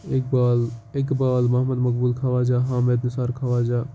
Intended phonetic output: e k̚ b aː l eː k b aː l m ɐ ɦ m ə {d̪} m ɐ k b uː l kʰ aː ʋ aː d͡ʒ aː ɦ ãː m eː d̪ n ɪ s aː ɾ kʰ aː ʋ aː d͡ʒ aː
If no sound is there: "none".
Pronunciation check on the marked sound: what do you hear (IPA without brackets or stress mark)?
d̪